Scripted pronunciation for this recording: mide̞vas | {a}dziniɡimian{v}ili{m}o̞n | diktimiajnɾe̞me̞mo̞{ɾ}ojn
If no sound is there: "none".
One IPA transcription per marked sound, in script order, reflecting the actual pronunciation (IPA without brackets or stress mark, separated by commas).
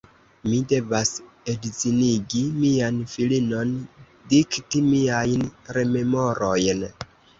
e, f, n, ɾ